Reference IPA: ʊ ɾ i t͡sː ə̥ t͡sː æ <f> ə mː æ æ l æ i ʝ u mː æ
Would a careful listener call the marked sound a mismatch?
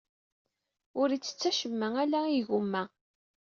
yes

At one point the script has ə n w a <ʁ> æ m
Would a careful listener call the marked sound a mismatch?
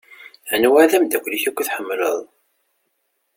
yes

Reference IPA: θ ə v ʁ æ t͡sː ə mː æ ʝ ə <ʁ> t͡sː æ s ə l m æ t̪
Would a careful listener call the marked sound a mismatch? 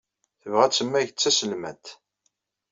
yes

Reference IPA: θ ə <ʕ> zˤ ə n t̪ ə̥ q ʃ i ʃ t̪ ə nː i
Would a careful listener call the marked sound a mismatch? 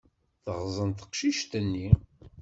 yes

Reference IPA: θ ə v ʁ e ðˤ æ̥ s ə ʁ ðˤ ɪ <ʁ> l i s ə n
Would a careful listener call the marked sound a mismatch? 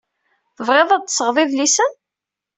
yes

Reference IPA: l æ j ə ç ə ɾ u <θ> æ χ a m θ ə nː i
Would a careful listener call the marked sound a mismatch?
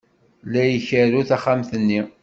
no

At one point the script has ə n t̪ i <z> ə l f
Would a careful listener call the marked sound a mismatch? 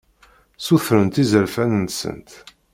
no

